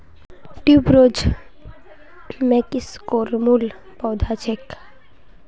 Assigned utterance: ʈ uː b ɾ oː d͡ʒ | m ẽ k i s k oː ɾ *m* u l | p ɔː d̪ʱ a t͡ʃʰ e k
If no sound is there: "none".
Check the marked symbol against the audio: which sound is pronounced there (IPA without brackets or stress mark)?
m